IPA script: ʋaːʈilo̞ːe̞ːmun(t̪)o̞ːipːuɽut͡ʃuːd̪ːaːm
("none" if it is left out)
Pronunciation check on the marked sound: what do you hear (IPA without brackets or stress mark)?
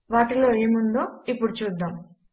d̪